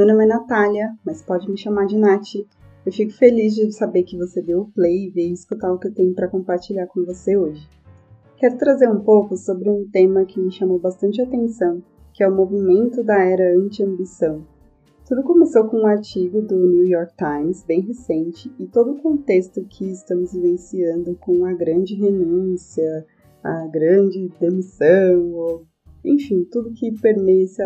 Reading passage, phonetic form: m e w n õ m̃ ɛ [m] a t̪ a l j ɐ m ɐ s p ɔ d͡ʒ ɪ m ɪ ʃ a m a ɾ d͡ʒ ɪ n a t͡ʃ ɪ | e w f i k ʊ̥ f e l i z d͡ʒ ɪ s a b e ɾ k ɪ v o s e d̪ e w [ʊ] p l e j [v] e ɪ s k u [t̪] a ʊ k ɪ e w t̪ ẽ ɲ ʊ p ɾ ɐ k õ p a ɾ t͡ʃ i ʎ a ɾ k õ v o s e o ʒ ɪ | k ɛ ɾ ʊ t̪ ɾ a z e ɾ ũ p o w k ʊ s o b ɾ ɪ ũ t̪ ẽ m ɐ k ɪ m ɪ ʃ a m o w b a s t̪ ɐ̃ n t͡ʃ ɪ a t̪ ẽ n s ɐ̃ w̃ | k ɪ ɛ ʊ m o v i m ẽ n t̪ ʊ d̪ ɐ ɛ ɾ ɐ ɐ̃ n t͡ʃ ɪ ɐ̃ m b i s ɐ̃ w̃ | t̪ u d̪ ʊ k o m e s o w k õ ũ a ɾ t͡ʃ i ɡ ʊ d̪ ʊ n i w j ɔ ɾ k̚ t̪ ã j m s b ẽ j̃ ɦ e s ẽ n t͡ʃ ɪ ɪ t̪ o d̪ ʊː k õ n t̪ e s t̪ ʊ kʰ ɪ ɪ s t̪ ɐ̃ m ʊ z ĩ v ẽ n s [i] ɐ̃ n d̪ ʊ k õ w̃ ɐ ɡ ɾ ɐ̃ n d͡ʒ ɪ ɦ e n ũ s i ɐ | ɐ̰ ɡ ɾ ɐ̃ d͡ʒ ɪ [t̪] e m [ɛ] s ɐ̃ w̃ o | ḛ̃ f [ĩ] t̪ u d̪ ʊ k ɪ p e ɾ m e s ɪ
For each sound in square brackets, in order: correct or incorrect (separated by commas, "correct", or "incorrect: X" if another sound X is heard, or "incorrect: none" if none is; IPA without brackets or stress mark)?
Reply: incorrect: n, correct, correct, correct, correct, incorrect: d̪, incorrect: i, correct